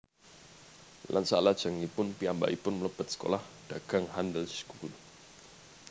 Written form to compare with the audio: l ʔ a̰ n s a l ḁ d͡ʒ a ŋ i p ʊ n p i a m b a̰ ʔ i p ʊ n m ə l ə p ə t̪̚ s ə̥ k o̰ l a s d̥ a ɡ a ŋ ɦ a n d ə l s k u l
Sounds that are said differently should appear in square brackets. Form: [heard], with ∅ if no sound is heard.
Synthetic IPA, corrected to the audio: l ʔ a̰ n s a l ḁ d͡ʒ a ŋ i p ʊ n p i a m b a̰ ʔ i p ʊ n m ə l ə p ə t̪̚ s ə̥ k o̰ l a [h] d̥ a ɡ a ŋ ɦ a n d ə l s k u l

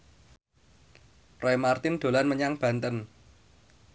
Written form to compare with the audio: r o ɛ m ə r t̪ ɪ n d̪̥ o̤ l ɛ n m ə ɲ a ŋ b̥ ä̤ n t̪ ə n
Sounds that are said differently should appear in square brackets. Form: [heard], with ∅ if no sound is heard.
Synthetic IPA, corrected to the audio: r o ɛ m [a] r t̪ ɪ n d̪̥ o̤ l [a] n m ə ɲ a ŋ b̥ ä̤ n t̪ ə n

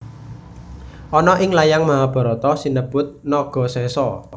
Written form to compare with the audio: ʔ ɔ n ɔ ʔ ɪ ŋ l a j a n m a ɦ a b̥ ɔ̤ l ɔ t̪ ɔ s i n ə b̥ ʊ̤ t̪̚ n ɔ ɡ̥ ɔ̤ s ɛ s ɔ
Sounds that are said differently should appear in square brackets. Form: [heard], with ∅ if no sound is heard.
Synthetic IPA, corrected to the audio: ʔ ɔ n ɔ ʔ ɪ ŋ l a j a [ŋ] m a ɦ a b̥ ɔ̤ [ɾ] ɔ t̪ ɔ s i n ə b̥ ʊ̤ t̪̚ n ɔ ɡ̥ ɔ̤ s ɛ s ɔ

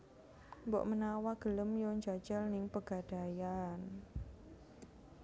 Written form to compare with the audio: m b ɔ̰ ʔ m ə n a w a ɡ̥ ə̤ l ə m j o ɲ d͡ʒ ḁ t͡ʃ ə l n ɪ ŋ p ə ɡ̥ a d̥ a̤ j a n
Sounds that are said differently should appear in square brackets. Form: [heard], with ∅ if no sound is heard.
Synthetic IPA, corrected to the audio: m b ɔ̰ ʔ m ə n a w a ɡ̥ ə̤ l ə m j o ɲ d͡ʒ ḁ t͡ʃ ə l n ɪ ŋ p ə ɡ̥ a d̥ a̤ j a n

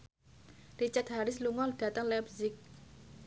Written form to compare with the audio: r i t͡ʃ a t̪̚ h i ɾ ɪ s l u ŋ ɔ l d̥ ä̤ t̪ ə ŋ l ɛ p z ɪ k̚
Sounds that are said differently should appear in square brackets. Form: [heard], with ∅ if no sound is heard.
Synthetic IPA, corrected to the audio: r i t͡ʃ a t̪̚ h [a] ɾ ɪ s l u ŋ ɔ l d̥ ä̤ t̪ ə ŋ l ɛ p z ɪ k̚

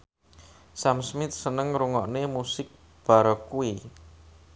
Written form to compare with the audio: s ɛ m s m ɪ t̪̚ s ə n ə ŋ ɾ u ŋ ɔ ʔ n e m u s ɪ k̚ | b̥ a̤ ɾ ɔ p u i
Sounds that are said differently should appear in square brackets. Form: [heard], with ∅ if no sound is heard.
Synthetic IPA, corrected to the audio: s [a] m s m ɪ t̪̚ s ə n ə ŋ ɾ u ŋ ɔ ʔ n e m u s ɪ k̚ | b̥ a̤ ɾ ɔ [k] u i

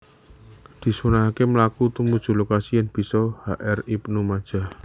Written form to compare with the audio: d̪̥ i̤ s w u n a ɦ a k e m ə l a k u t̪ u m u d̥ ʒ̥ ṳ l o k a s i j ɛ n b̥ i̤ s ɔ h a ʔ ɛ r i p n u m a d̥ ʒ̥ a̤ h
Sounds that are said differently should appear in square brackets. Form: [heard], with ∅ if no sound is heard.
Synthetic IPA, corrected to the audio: d̪̥ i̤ s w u n a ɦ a k e m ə l a k u t̪ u m u d̥ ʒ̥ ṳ l o k a s i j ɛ n b̥ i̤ s ɔ h a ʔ ɛ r i p n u m a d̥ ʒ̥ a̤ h

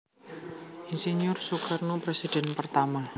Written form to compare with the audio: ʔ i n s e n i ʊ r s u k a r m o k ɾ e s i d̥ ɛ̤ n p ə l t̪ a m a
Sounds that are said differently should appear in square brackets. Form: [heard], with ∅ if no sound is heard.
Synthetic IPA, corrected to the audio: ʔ i n s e n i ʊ r s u k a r [n] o [p] ɾ e s i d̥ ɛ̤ n p ə [r] t̪ a m a

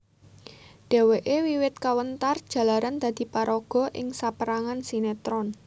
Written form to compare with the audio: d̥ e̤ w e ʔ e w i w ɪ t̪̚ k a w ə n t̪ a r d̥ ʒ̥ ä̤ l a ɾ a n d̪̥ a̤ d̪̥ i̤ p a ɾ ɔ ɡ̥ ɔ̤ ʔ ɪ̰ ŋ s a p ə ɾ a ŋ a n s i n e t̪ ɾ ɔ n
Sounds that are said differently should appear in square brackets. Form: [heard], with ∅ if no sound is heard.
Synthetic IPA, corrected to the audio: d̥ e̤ w e ʔ e w i w ɪ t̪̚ k a w ə n t̪ a r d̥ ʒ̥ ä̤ l a ɾ a n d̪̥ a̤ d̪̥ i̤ p a ɾ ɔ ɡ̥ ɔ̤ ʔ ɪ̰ ŋ s a p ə ɾ a ŋ a n s i n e t̪ ɾ ɔ n

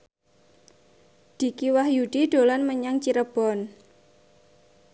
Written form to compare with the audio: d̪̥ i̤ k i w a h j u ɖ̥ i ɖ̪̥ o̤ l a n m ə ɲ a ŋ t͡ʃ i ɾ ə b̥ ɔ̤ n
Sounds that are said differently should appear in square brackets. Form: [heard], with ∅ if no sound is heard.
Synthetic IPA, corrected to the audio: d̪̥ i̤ k i w a h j u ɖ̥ i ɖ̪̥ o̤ l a n m ə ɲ a ŋ t͡ʃ i ɾ ə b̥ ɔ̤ n

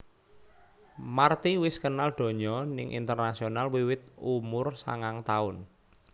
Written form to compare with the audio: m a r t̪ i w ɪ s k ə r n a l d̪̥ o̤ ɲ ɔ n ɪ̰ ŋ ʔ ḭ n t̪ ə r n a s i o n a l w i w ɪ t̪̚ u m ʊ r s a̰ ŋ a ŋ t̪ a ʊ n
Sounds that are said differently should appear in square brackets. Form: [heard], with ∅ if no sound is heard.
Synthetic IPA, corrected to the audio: m a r t̪ i w ɪ s k ə [∅] n a l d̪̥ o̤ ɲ ɔ n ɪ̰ ŋ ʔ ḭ n t̪ ə r n a s i o n a l w i w ɪ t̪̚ u m ʊ r s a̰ ŋ a ŋ t̪ a ʊ n

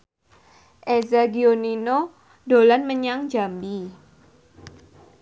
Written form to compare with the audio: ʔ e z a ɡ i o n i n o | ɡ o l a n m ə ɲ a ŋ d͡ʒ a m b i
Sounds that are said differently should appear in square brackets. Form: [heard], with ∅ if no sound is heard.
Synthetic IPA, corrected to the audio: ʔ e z a ɡ i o n i n o | [d] o l a n m ə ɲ a ŋ d͡ʒ a m b i

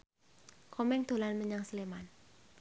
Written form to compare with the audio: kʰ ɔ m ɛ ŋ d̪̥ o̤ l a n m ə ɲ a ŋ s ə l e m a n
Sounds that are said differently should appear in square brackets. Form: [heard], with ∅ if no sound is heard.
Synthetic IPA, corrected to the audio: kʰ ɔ m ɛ ŋ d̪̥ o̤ l a n m ə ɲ a ŋ s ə l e m a n

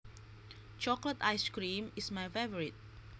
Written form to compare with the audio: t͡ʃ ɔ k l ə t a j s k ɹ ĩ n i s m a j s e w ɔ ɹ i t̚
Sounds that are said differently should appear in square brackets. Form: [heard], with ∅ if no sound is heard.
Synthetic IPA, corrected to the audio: t͡ʃ ɔ k l ə t a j s k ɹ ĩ [m] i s m a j [f] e [v] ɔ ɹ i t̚

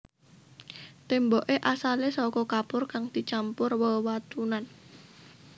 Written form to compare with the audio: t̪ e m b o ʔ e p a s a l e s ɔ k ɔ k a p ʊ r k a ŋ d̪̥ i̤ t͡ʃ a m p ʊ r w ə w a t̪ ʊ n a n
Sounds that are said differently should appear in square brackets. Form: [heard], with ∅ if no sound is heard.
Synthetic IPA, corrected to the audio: t̪ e m b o ʔ e [ʔ] a s a l e s ɔ k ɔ k a p ʊ r k a ŋ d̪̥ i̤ t͡ʃ a m p ʊ r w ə w a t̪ [u] n a n

